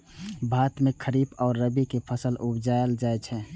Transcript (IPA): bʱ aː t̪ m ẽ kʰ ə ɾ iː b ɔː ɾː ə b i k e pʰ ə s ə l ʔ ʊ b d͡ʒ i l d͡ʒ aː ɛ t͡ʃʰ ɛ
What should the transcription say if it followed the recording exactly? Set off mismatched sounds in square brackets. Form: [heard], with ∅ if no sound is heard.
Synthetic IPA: bʱ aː t̪ m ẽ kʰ ə ɾ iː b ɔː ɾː ə b i k e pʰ ə s ə l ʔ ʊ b d͡ʒ [a] l d͡ʒ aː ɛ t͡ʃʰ ɛ

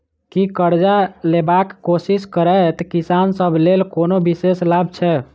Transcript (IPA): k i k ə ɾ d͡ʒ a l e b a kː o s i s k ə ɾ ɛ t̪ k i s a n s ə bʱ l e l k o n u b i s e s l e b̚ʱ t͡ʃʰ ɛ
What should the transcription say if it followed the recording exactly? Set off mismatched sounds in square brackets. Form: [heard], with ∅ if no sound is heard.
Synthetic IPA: k i k ə ɾ d͡ʒ a l e b a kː o s i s k ə ɾ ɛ t̪ k i s a n s ə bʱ l e l k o n [o] b i s e s l [a] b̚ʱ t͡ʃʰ ɛ

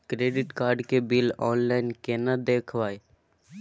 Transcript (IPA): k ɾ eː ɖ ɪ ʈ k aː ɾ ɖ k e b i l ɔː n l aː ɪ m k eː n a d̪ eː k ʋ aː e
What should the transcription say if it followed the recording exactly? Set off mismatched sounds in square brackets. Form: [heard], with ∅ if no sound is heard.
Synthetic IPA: k ɾ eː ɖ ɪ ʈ k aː ɾ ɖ k e b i l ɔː n l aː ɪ [n] k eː n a d̪ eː [kʰ] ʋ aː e

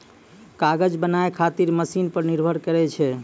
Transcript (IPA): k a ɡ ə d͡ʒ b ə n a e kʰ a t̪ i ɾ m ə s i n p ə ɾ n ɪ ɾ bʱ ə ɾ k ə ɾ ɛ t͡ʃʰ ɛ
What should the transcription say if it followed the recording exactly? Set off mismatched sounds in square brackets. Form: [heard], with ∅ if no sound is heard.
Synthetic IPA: k a ɡ ə d͡ʒ b ə n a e kʰ a t̪ i ɾ m ə s i n p ə ɾ n [i] ɾ bʱ ə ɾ k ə ɾ ɛ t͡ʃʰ ɛ

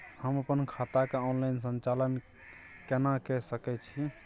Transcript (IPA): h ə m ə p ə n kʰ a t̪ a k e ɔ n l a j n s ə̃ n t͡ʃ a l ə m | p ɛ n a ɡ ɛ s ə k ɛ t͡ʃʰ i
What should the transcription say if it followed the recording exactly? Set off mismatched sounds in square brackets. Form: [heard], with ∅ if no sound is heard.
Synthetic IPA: h ə m ə p ə n kʰ a t̪ a k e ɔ n l a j n s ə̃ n t͡ʃ a l ə [n] | [k] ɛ n a [k] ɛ s ə k ɛ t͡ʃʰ i

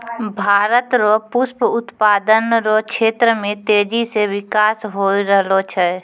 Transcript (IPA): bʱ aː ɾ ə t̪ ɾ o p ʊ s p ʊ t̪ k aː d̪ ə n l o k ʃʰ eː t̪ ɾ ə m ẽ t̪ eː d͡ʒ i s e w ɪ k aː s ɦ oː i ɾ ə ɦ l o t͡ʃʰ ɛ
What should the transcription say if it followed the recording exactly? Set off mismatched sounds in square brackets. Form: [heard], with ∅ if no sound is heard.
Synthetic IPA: bʱ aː ɾ ə t̪ ɾ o p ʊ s p ʊ t̪ [p] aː d̪ ə n [ɾ] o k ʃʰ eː t̪ ɾ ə m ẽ t̪ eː d͡ʒ i s e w ɪ k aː s ɦ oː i ɾ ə ɦ l o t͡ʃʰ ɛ

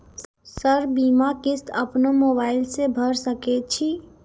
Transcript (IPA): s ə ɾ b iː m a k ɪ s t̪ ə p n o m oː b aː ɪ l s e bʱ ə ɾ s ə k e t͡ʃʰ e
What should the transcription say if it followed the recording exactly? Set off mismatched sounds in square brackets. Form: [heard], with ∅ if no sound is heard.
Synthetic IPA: s ə ɾ b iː m a k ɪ s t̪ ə p n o m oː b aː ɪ l s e bʱ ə ɾ s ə k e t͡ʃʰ [i]

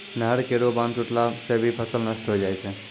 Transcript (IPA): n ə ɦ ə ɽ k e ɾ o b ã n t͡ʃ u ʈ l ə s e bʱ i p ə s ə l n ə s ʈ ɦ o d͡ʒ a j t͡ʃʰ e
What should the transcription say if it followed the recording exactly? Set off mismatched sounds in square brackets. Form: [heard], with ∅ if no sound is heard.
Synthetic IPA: n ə ɦ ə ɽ k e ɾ o b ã n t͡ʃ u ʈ l [a] s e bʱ i [pʰ] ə s ə l n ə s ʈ ɦ o d͡ʒ a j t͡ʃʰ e

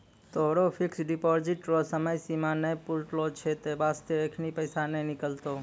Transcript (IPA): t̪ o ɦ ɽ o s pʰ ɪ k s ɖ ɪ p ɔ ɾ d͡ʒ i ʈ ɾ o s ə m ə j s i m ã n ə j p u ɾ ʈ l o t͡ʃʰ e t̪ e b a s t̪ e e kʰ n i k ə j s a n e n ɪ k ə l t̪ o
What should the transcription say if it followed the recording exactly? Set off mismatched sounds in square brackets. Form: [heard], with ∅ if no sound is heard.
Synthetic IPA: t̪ o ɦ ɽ o [∅] pʰ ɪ k s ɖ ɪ p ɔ ɾ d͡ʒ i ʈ ɾ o s ə m ə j s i m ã n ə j p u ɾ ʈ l o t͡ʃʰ e t̪ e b a s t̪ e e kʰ n i [p] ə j s a n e n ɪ k ə l t̪ o

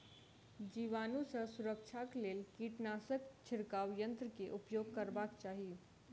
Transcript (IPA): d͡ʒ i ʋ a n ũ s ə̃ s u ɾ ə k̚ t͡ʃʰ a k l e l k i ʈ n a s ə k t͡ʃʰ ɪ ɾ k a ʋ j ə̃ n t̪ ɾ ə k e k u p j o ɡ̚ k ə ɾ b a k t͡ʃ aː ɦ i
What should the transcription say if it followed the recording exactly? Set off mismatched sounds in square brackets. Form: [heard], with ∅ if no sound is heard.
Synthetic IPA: d͡ʒ i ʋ a n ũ s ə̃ s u ɾ ə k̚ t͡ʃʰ a k l e l k i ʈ n a s ə k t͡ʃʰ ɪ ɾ k a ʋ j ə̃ n t̪ ɾ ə k e [ʔ] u p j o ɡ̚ k ə ɾ b a k t͡ʃ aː ɦ i

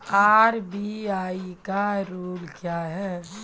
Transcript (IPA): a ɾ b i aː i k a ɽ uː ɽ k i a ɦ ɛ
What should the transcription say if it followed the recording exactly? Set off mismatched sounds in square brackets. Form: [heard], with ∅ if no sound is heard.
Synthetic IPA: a ɾ b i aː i k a [ɾ] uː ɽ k [j] a ɦ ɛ

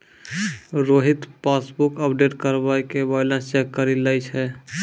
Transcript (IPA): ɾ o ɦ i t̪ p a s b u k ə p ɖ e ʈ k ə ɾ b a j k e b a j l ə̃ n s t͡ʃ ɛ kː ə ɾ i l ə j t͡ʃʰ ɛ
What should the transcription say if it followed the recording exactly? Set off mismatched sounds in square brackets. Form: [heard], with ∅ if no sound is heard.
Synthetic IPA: ɾ o ɦ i t̪ p a s b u k ə p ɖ e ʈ k ə ɾ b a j k e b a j l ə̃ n s t͡ʃ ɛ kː ə ɾ i l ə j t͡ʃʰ ɛ

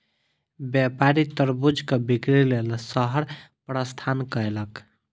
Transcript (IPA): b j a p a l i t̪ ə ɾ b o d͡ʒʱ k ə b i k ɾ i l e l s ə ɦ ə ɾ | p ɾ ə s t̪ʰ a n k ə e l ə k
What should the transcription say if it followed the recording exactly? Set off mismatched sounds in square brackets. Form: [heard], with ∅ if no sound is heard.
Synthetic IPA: b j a p a [ɾ] i t̪ ə ɾ b [u] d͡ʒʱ k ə b i k ɾ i l e l s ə ɦ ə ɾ | p ɾ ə s t̪ʰ a n k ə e l ə k

